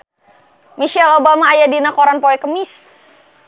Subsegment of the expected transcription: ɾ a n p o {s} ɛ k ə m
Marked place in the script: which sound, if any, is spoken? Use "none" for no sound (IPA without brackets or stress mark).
none